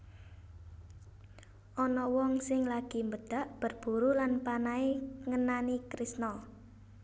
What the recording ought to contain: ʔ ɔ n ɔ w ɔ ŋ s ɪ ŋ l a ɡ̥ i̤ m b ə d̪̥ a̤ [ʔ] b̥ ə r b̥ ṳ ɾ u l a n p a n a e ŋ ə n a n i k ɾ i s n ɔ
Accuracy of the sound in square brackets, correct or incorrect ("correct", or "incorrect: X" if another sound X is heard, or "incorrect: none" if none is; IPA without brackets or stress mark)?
correct